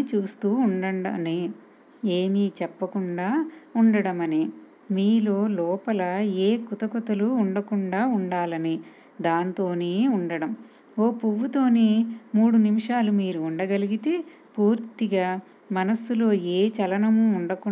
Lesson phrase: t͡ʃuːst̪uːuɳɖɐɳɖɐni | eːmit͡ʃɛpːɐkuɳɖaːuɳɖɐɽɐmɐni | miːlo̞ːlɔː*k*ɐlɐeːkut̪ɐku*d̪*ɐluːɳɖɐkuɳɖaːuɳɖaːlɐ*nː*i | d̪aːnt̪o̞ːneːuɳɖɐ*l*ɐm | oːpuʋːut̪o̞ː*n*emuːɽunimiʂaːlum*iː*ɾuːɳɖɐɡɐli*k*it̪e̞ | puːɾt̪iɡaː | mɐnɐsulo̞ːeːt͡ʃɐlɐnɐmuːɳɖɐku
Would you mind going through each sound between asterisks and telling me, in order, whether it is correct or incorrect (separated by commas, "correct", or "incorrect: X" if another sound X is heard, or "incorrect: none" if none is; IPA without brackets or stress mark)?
incorrect: p, incorrect: t̪, incorrect: n, incorrect: ɽ, correct, correct, incorrect: ɡ